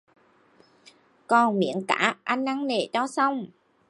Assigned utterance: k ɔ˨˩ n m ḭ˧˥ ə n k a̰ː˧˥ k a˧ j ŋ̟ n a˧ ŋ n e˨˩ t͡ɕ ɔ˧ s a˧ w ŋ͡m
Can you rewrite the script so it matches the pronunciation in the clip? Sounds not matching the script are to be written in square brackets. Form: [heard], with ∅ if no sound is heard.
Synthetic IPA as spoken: k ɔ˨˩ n m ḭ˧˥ ə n k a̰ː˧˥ [ʔ] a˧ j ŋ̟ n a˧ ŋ n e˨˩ t͡ɕ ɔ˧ s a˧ w ŋ͡m